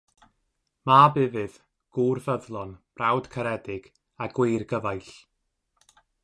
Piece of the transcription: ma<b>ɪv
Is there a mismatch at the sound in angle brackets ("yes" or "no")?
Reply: no